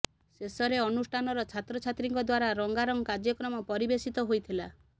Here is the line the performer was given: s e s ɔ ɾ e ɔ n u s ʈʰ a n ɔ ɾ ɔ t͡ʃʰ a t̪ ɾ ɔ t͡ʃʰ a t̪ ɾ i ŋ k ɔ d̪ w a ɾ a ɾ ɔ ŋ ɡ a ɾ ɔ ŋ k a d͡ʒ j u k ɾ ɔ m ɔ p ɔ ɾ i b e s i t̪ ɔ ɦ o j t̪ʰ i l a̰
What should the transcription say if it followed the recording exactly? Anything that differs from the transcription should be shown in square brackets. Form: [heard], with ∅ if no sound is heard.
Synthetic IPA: s e s ɔ ɾ e ɔ n u s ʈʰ a n ɔ ɾ ɔ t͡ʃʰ a t̪ ɾ ɔ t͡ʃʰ a t̪ ɾ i ŋ k ɔ d̪ w a ɾ a ɾ ɔ ŋ ɡ a ɾ ɔ ŋ k a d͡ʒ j [ɔ] k ɾ ɔ m ɔ p ɔ ɾ i b e s i t̪ ɔ ɦ o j t̪ʰ i l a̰